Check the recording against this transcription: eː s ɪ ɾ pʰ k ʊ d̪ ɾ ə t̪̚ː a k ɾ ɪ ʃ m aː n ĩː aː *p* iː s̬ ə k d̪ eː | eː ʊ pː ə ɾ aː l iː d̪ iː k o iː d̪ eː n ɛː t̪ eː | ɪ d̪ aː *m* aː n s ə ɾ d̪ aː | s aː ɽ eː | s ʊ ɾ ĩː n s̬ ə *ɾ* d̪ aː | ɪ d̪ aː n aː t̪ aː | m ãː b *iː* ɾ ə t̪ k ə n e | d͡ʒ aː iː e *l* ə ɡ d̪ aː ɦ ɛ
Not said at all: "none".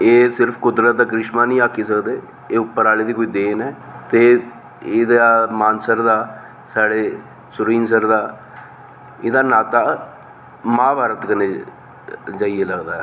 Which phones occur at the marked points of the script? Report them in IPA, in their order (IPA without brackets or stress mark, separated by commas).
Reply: k, m, ɾ, aː, l